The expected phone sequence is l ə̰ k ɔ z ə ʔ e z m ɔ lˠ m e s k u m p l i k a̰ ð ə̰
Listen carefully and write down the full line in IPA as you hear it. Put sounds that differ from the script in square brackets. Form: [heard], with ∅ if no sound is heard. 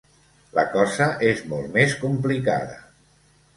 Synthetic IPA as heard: l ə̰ k ɔ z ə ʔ e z m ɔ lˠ m e s k u m p l i k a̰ ð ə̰